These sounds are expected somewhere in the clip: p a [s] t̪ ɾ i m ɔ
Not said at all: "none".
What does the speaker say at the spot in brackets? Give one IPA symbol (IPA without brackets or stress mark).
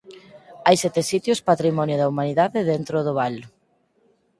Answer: none